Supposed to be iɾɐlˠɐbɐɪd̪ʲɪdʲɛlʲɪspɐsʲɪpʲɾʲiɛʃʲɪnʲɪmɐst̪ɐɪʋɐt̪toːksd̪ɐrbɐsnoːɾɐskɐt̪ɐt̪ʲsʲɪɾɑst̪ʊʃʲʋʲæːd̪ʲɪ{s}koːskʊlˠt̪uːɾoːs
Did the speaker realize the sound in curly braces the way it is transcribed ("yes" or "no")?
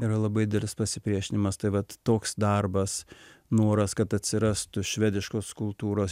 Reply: no